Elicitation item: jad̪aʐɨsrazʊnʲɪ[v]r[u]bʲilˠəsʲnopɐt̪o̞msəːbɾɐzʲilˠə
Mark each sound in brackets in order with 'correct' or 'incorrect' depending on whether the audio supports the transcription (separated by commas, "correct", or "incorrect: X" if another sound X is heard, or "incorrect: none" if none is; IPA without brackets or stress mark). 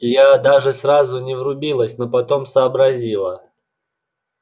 correct, incorrect: ʊ